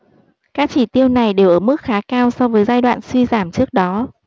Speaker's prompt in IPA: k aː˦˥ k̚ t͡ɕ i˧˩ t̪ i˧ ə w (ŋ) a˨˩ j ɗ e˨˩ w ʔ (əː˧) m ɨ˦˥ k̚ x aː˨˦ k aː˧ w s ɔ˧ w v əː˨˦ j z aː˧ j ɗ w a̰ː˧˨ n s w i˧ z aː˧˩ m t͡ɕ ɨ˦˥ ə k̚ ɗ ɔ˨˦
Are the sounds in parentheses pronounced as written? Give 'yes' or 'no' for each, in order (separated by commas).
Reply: no, no